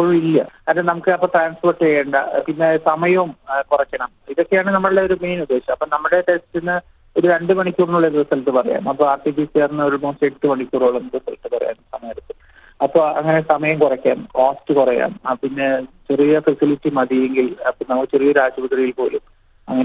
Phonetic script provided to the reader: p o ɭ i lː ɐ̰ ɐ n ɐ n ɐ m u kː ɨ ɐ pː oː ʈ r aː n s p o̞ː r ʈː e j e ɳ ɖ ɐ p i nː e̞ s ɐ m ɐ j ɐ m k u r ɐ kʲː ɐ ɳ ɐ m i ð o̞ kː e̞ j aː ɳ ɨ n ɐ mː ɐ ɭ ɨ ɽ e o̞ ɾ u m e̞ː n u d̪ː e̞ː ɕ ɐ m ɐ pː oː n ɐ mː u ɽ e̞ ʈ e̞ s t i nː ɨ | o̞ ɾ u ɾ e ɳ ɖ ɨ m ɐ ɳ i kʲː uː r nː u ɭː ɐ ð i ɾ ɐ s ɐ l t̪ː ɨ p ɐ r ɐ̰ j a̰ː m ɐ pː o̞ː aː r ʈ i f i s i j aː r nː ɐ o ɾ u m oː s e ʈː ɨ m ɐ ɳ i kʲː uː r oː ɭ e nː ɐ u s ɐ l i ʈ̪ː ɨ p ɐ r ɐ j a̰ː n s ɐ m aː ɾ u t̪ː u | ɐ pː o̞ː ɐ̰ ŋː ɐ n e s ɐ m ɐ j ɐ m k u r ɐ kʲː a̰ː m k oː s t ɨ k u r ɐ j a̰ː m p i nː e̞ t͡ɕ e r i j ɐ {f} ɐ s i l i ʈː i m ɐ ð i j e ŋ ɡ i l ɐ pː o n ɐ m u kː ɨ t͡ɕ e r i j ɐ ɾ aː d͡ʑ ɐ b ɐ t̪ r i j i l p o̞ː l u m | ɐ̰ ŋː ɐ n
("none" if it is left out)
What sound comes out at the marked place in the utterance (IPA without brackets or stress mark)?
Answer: f